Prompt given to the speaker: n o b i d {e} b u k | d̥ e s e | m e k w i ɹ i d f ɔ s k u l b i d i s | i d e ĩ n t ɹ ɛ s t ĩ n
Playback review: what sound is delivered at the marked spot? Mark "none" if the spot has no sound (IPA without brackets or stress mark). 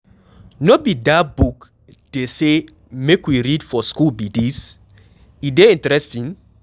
a